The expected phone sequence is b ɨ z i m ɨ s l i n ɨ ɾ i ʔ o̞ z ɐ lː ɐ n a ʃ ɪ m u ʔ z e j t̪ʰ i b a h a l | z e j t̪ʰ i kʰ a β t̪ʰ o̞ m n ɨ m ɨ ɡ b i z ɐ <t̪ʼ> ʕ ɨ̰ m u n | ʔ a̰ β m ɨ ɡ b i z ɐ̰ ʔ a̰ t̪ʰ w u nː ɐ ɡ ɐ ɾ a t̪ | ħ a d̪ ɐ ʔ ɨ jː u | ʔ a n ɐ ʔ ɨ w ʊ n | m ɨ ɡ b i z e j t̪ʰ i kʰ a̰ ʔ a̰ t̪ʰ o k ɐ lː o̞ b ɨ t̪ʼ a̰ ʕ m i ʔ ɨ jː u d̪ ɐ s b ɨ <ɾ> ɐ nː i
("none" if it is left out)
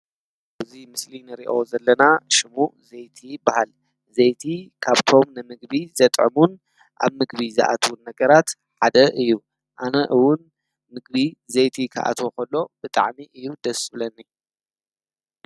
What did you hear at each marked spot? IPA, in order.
t̪ʼ, l

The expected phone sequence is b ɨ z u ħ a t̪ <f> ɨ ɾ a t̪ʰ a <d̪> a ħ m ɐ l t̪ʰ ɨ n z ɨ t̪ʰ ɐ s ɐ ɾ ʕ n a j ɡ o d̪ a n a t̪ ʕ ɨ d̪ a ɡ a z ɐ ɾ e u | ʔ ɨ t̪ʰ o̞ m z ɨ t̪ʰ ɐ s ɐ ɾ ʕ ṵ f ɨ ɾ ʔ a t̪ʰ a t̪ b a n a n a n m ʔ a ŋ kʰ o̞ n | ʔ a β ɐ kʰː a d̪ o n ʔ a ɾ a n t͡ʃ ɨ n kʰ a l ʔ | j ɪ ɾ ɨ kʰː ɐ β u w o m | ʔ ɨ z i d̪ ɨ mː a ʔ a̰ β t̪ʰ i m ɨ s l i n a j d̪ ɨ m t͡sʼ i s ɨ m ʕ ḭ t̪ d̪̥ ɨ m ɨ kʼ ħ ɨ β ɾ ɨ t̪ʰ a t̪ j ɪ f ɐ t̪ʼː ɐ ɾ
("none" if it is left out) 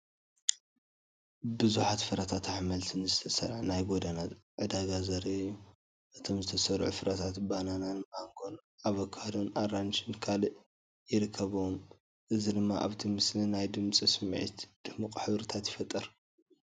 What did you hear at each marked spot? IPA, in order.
f, t̪

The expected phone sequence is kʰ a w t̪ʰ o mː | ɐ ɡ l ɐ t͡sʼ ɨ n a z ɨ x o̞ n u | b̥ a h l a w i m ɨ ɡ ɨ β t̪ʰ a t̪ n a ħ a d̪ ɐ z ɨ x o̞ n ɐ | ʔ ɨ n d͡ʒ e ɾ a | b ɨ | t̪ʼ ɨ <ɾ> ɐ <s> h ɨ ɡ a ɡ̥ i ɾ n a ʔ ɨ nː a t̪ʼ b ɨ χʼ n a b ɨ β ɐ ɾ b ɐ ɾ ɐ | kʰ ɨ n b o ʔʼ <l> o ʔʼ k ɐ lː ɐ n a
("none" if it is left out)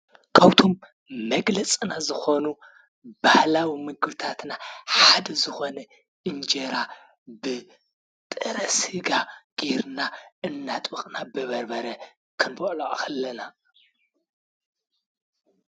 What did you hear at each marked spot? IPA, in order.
ɾ, s, l

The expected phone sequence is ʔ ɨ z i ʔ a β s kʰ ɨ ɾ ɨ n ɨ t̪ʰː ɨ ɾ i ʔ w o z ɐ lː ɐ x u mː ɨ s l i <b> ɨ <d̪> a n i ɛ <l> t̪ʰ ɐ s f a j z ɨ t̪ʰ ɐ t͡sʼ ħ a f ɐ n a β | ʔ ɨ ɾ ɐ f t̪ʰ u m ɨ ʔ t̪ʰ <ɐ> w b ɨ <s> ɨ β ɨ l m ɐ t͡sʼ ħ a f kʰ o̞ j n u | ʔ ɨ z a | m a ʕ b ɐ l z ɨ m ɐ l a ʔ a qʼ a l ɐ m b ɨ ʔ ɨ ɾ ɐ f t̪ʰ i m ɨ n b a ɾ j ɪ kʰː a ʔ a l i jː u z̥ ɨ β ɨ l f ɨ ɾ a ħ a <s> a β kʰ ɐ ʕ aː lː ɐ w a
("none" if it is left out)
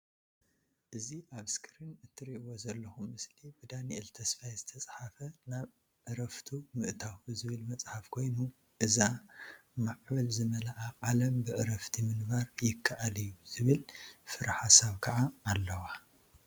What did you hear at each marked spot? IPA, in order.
b, d̪, l, a, z, s

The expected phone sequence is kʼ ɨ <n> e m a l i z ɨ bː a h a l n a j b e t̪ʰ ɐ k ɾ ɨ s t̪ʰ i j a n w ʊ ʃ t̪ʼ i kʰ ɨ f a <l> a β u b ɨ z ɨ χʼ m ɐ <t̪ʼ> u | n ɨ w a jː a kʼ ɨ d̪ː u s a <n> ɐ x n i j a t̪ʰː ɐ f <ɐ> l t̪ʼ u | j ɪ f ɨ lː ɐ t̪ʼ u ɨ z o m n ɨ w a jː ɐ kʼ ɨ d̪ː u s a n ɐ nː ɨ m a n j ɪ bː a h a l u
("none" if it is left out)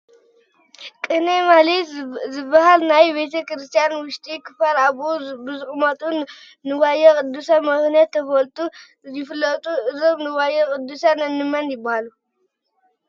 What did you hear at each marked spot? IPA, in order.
n, l, t̪ʼ, m, ɐ

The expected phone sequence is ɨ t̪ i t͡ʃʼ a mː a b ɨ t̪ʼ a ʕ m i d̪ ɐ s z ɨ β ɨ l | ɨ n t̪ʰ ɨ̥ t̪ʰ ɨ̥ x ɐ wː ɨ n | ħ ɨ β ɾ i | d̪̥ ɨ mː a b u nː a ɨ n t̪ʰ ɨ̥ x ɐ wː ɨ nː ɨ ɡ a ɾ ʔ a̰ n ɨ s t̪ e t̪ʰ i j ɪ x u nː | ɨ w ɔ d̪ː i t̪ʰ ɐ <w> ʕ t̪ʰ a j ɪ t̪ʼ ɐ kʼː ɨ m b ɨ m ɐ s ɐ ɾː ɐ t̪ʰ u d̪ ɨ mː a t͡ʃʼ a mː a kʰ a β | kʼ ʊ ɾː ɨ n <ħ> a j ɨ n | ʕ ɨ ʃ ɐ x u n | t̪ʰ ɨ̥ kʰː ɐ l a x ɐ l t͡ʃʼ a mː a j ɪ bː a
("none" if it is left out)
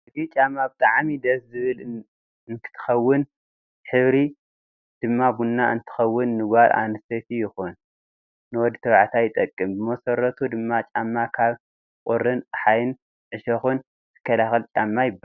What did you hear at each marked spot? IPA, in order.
β, ħ

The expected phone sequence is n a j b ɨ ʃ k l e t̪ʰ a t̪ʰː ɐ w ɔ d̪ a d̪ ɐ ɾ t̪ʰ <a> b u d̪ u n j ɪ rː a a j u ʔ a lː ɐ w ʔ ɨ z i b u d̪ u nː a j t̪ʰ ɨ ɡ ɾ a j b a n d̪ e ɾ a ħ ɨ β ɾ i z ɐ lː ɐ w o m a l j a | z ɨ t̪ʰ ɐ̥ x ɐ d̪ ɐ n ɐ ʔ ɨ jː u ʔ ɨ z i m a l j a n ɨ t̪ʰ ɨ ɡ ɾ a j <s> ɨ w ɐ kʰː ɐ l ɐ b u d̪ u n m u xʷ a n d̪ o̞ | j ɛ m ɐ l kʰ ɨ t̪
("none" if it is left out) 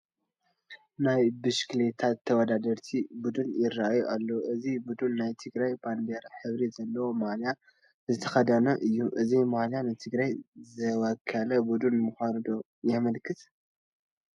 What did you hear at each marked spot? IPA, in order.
i, z

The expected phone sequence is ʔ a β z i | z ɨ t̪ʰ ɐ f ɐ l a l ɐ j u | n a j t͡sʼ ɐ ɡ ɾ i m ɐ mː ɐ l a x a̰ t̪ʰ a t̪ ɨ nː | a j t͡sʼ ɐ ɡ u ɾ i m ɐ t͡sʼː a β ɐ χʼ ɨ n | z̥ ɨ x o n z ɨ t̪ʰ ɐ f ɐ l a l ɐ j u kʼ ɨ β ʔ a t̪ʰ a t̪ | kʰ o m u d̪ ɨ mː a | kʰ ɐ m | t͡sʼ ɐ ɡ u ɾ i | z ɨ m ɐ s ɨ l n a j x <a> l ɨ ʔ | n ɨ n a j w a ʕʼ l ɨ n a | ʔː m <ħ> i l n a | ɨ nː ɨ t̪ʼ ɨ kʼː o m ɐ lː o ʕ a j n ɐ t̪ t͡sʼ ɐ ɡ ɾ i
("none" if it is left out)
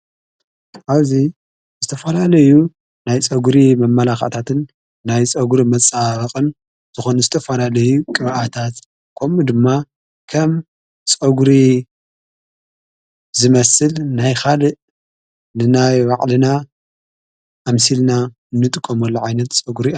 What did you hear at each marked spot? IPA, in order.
a, s

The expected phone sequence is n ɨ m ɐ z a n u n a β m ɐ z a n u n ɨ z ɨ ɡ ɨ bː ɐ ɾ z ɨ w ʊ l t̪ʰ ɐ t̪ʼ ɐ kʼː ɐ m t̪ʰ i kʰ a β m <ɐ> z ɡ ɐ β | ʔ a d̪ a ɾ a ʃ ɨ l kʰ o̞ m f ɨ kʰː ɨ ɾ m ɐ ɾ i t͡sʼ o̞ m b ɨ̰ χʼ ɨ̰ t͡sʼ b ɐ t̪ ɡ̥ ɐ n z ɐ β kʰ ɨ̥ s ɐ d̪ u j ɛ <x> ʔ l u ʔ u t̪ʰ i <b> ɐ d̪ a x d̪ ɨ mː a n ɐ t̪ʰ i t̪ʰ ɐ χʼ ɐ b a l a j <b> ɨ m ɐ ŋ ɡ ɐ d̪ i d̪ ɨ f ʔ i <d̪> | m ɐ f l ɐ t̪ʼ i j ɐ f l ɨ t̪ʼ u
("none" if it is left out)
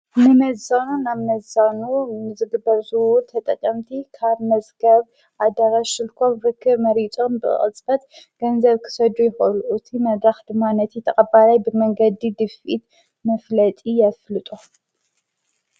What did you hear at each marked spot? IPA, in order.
ɐ, x, m, b, t̪

